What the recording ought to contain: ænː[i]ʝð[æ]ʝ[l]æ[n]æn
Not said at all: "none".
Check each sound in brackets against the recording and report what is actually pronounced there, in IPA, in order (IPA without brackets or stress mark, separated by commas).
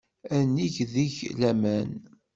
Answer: i, i, l, m